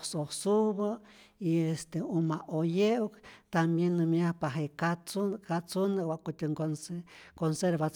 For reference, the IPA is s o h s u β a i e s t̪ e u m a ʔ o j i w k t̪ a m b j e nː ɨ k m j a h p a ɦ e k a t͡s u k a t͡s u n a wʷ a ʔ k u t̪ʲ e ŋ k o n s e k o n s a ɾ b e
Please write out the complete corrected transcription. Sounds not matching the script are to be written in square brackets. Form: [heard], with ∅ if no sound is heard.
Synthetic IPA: s o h s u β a i e s t̪ e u m a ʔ o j [e] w k t̪ a m b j e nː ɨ [∅] m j a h p a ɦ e k a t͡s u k a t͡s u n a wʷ a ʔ k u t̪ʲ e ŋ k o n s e k o n s [e] ɾ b [a]